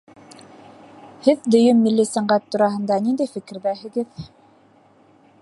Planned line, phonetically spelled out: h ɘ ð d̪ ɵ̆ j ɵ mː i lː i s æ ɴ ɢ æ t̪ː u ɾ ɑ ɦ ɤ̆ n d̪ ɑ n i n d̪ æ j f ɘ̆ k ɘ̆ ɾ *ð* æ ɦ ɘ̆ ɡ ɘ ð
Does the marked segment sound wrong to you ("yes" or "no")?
no